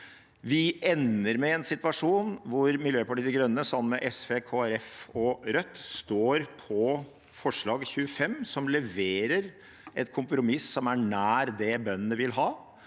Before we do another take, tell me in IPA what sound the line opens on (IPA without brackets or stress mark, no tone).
ʋ